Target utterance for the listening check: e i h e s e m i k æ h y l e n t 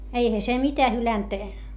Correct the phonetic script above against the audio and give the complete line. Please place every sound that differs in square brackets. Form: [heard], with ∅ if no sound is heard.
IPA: e i h [æ] s e m i [t] æ h y l [æ] n t